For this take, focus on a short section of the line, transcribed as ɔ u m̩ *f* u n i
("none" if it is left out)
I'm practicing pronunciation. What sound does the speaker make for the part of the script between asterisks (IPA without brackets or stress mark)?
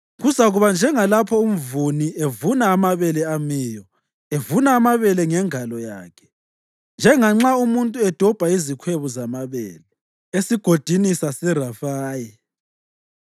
v